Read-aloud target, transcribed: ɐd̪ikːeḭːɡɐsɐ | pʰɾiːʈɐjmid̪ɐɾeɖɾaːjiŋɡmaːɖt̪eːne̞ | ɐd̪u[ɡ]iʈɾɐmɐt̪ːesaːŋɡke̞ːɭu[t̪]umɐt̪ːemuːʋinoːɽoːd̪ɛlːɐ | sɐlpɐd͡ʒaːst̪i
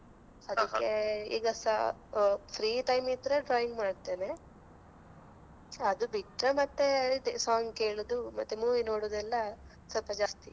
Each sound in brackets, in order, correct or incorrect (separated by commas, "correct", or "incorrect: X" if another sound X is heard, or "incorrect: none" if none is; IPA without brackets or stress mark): incorrect: b, incorrect: d̪